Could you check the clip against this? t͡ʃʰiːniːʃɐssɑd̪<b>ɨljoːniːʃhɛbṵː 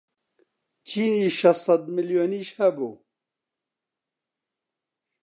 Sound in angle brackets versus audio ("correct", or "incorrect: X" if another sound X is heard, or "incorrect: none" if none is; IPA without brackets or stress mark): incorrect: m